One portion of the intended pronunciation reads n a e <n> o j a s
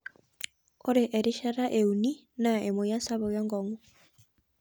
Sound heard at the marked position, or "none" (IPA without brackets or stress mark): m